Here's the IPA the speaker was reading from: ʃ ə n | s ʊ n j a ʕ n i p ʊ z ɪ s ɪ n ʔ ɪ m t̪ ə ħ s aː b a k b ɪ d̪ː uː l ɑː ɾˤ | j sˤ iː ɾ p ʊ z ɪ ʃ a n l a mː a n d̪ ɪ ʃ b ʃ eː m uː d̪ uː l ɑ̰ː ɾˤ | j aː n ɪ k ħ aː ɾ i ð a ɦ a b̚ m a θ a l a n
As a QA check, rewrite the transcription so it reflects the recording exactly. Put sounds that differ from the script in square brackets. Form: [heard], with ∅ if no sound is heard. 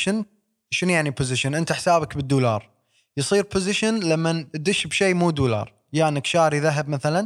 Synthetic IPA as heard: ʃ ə n | [ʃ] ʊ n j a ʕ n i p ʊ z ɪ [ʃ] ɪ n ʔ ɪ [n] t̪ [a] ħ s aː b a k b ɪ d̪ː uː l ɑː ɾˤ | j sˤ iː ɾ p ʊ z ɪ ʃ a n l a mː a n d̪ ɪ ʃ b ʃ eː m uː d̪ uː l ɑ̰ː ɾˤ | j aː n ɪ k [ʃ] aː ɾ i ð a ɦ a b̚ m a θ a l a n